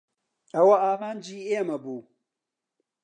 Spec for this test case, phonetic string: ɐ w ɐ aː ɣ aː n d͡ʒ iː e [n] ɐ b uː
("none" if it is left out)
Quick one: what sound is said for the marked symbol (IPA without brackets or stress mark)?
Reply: m